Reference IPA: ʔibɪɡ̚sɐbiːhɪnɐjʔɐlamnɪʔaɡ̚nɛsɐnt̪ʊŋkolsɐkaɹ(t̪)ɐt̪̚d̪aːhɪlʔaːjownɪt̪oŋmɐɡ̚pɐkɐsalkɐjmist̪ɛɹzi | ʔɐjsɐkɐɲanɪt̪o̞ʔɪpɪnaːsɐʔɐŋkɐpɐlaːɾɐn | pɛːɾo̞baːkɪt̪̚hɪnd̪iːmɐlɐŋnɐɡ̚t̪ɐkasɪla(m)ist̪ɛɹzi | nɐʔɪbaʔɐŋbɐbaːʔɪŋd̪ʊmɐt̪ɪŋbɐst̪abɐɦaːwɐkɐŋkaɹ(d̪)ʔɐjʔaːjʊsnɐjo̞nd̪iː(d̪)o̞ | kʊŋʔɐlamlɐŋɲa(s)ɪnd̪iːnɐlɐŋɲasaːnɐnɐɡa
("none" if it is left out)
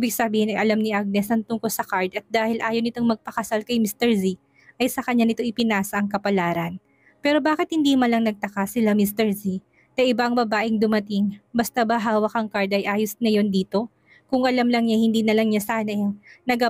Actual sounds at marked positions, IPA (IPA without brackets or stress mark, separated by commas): d̪, m, d̪, t̪, h